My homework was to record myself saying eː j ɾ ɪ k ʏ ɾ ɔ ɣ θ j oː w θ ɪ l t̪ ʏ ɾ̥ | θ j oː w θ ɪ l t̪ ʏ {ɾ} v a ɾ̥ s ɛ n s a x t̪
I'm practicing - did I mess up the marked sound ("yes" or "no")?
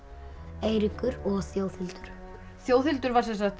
no